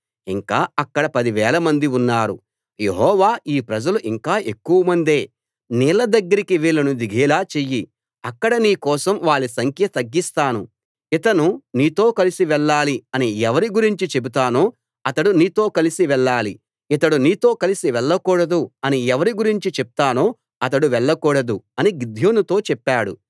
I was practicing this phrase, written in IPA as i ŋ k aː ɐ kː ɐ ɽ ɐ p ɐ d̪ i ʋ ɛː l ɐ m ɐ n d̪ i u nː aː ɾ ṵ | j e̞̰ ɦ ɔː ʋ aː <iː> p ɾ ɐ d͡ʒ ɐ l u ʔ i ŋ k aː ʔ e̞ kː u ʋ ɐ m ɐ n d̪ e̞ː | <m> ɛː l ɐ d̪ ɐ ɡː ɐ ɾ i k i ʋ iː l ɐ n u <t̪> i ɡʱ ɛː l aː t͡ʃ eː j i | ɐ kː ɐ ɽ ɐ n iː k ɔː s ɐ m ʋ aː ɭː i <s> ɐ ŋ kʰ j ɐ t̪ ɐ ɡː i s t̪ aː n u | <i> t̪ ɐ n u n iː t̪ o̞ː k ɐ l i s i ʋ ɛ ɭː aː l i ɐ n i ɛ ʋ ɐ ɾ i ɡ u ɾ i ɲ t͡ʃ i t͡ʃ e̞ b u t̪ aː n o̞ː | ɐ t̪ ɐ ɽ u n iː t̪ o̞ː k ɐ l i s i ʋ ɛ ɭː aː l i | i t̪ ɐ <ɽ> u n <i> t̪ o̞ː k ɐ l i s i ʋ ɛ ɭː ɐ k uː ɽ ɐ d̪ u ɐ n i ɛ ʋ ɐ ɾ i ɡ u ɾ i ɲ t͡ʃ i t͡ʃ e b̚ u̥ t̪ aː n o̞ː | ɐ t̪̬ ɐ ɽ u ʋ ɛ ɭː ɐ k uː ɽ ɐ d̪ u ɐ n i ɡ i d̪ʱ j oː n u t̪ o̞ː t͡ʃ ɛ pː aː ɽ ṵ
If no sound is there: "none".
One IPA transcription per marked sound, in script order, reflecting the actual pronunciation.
iː, n, d̪, s, i, ɽ, iː

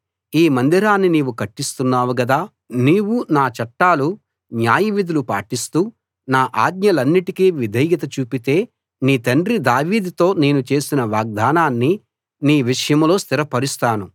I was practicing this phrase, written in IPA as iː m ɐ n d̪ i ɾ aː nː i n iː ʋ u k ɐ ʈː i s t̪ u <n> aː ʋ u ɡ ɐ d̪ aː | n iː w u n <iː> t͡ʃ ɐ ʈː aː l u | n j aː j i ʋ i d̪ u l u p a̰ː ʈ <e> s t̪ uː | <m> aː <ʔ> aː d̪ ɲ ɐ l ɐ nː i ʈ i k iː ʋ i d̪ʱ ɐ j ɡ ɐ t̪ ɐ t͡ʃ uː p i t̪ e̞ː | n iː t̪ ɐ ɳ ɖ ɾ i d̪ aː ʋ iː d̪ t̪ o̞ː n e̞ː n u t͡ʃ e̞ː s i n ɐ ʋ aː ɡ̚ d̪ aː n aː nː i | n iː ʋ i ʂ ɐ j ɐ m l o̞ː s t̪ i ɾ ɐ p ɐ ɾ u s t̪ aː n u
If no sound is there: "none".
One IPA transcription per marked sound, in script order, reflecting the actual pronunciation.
nː, aː, i, n, ʔ

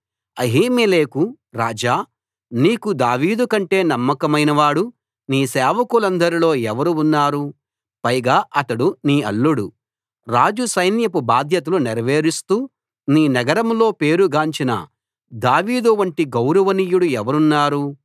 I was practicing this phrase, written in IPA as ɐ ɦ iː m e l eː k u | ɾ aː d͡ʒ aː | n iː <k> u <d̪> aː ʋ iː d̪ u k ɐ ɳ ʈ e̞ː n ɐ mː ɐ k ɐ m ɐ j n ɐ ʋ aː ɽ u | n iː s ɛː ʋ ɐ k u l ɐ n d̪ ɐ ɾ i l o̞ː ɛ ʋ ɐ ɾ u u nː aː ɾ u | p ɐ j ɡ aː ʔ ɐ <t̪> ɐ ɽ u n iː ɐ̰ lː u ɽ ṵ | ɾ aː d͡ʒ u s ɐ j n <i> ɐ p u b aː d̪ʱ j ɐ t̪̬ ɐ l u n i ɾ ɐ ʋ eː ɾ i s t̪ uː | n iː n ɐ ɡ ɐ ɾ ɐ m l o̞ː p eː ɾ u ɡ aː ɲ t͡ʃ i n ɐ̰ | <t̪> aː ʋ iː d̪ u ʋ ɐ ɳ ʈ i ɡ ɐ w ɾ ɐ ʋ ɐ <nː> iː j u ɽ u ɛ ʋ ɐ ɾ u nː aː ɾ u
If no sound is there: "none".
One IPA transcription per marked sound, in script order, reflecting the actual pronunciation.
k, d̪, t̪, j, d̪, n

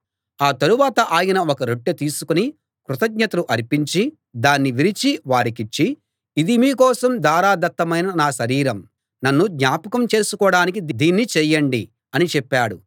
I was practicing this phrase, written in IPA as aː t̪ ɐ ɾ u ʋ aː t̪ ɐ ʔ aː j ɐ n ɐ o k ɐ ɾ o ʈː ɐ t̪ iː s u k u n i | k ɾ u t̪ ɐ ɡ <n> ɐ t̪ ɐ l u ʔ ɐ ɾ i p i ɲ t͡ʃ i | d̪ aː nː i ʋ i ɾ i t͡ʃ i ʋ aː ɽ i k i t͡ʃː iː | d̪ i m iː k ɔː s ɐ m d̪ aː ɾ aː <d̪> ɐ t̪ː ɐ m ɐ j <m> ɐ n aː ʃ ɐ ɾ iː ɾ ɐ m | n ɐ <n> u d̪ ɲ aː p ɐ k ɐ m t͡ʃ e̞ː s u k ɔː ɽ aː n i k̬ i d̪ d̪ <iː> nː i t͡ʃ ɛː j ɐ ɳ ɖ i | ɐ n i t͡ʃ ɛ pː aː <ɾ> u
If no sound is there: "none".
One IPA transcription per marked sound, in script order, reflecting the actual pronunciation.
ɲ, d̪, n, nː, iː, ɽ

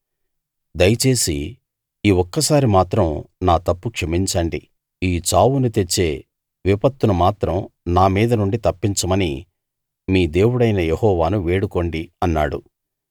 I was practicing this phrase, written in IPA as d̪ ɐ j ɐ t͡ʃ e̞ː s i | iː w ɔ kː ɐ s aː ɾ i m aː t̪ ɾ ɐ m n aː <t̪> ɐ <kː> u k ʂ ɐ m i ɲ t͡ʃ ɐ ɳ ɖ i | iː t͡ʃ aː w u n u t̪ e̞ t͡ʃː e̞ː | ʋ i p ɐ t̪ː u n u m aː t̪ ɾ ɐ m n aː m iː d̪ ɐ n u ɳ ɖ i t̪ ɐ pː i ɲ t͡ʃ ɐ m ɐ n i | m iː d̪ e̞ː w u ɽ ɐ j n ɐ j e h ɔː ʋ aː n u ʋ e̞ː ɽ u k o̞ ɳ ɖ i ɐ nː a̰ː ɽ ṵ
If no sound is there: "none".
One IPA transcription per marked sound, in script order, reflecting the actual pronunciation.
t̪, pː

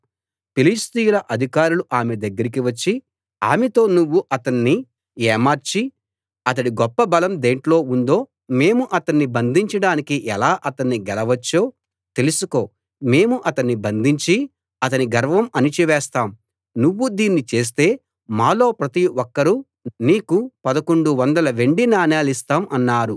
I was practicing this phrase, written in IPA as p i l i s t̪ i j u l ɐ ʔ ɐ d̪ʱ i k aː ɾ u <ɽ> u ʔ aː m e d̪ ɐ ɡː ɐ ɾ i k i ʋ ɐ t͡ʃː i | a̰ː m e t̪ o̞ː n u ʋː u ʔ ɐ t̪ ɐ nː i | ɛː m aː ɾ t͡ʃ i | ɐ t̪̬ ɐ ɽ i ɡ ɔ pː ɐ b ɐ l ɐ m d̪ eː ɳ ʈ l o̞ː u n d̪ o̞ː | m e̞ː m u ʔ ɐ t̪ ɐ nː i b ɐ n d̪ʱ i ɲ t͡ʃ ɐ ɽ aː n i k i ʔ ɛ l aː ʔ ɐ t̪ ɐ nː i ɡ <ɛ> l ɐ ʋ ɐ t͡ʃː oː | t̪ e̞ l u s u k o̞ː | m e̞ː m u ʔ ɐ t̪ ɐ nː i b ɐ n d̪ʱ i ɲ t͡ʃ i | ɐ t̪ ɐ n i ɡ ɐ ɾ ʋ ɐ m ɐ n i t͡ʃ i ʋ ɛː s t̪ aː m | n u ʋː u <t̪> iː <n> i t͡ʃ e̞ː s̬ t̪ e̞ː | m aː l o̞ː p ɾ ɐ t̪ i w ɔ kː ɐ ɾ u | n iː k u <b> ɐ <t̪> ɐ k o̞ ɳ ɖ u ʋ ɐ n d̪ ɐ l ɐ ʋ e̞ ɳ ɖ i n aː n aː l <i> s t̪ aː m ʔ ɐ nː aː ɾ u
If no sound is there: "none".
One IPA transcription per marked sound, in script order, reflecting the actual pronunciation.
l, ɛ, d̪, nː, p, d̪, i

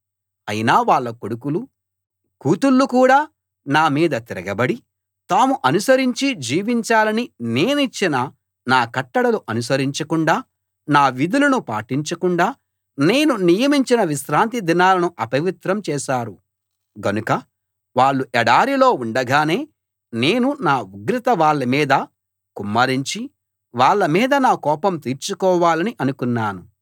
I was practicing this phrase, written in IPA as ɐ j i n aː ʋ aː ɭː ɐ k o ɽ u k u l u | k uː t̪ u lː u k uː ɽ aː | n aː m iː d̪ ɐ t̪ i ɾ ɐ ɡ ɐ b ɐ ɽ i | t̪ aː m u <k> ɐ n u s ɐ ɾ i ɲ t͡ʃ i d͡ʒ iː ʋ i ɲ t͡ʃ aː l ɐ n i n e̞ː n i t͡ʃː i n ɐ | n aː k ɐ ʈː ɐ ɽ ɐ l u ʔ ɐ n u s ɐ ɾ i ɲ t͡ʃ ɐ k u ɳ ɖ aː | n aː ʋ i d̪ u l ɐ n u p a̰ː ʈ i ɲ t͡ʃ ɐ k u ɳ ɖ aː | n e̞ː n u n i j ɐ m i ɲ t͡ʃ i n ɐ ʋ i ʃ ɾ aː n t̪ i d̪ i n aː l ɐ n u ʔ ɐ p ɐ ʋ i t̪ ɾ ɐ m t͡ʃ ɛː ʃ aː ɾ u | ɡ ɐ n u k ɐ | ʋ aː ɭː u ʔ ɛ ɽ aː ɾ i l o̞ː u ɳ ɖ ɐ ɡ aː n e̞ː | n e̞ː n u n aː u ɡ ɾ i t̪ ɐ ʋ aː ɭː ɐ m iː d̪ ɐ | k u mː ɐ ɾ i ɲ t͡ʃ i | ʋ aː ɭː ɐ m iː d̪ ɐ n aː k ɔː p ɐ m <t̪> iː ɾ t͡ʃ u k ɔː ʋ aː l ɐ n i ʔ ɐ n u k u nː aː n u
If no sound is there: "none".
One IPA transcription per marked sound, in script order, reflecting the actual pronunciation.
ʔ, t̪

